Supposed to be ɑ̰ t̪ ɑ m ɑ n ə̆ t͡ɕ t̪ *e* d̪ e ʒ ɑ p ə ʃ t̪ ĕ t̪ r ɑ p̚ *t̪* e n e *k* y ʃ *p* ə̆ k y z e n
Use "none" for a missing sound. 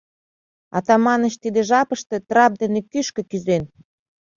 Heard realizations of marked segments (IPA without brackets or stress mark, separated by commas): i, d̪, k, k